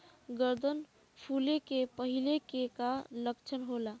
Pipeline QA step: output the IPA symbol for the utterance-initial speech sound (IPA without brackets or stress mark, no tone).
ɡ